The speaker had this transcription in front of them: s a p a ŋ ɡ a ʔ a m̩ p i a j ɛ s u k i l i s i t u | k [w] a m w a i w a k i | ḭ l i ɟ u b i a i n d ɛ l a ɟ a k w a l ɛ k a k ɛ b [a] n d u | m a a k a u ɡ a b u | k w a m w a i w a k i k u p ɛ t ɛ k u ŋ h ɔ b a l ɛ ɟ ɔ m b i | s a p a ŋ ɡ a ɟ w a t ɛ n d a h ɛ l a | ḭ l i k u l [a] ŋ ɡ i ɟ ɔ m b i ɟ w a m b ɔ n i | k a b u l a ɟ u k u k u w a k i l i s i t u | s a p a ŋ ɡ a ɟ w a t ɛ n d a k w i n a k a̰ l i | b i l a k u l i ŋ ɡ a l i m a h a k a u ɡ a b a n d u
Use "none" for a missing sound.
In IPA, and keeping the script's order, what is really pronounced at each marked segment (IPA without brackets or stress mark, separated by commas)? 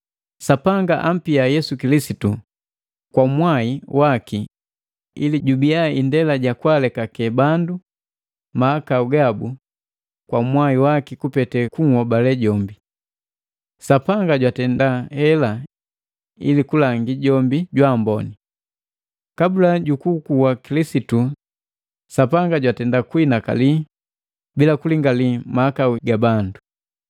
w, a, a